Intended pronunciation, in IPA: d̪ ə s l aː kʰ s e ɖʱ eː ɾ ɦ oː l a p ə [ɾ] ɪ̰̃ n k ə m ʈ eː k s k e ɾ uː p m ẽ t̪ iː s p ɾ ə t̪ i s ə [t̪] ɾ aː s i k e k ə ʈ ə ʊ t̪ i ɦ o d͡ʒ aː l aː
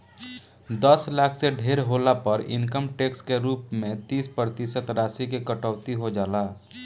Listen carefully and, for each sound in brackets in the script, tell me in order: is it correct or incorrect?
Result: correct, correct

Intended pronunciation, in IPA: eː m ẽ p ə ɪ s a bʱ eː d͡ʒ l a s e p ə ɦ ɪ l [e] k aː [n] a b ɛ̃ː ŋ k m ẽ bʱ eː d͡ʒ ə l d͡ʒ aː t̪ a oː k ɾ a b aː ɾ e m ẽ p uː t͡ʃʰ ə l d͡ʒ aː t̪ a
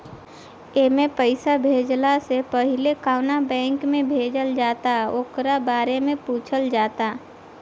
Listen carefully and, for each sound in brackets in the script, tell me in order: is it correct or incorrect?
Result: correct, correct

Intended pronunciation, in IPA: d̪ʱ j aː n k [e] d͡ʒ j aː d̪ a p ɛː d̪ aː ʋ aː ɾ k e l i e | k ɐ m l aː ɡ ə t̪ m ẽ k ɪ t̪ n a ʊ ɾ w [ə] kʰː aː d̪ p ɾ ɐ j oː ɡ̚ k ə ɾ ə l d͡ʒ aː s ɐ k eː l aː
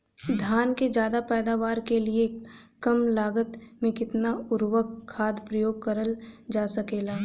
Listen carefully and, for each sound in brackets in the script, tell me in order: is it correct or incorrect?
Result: correct, correct

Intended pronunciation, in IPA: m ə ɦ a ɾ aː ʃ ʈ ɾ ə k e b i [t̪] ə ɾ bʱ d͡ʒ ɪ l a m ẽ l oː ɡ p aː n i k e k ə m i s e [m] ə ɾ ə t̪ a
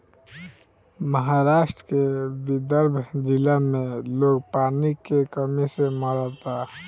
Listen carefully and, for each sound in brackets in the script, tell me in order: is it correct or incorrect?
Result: incorrect: d̪, correct

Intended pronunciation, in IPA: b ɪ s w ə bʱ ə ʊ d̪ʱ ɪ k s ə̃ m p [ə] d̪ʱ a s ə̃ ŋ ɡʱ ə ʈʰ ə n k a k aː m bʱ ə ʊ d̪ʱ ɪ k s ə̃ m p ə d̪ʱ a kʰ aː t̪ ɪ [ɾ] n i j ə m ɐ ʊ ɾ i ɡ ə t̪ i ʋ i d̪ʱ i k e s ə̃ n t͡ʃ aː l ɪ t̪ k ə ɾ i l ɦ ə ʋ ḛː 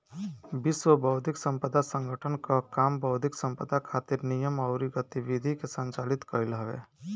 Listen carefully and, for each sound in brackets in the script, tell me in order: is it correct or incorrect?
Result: correct, correct

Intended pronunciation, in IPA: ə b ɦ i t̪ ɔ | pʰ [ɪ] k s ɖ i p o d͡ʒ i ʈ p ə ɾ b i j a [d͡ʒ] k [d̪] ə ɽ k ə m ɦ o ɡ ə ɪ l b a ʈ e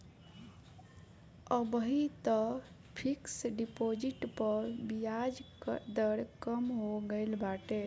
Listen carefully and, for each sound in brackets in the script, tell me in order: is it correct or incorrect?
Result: incorrect: i, correct, correct

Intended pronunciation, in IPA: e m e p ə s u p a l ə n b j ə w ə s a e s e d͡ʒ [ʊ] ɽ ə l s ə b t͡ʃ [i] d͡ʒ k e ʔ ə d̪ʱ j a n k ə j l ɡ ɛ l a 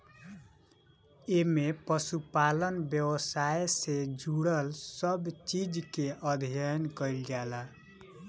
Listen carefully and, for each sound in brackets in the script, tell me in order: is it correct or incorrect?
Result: incorrect: u, correct

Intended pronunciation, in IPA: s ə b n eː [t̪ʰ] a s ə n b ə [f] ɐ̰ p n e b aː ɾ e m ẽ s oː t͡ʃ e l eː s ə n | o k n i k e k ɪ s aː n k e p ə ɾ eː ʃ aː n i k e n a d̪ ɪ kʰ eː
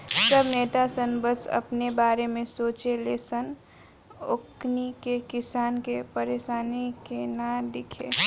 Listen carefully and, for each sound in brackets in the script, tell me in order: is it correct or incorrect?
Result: incorrect: t̪, incorrect: s

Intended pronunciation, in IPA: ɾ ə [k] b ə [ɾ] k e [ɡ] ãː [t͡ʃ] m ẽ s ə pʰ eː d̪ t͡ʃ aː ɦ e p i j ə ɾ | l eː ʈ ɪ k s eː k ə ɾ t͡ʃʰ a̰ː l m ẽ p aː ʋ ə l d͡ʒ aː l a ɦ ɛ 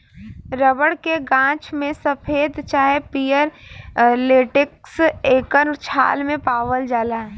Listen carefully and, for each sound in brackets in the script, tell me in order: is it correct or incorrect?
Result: incorrect: none, incorrect: ɽ, correct, correct

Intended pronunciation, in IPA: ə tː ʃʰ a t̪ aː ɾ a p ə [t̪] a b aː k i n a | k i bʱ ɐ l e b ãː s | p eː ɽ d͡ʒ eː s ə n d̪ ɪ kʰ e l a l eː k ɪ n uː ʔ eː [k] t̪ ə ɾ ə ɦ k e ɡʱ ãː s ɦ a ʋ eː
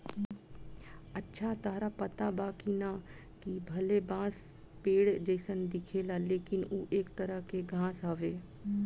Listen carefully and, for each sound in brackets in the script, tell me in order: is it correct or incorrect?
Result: correct, correct

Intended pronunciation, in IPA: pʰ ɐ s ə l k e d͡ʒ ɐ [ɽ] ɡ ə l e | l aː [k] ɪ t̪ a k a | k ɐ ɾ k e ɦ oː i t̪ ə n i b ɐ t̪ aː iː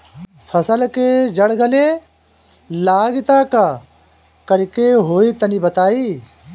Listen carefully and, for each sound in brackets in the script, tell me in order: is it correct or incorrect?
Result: correct, incorrect: ɡ

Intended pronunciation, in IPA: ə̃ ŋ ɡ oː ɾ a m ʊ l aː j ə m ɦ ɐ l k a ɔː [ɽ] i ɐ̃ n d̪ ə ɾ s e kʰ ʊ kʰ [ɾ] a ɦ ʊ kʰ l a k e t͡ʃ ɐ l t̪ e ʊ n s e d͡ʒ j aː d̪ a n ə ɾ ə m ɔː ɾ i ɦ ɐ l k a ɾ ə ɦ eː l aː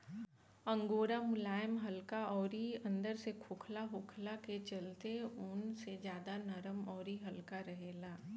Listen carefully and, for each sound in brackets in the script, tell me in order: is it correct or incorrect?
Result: incorrect: ɾ, incorrect: l

